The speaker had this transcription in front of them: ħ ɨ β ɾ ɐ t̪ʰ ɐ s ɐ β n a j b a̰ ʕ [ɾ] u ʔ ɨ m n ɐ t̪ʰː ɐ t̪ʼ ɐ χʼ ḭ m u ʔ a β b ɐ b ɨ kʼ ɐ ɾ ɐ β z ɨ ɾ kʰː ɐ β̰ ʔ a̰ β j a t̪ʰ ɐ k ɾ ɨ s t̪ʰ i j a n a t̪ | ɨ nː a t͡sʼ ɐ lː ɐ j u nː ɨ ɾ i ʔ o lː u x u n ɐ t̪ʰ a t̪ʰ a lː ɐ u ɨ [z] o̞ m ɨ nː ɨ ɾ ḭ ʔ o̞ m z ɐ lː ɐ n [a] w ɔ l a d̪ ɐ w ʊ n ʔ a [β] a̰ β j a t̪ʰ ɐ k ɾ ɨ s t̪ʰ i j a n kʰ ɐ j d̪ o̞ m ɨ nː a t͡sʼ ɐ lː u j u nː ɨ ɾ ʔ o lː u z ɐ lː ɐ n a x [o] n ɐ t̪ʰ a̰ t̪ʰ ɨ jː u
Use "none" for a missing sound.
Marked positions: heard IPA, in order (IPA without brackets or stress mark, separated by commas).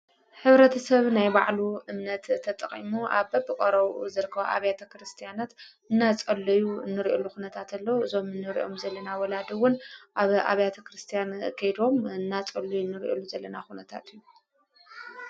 l, z, a, β, u